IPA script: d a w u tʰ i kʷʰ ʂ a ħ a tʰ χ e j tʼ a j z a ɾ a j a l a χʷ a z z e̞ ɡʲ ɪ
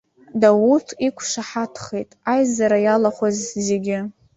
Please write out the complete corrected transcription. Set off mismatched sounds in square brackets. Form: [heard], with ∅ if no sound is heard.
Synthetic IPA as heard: d a w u tʰ i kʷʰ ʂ a ħ a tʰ χ e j tʼ a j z a ɾ a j a l a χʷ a z z e̞ ɡʲ ɪ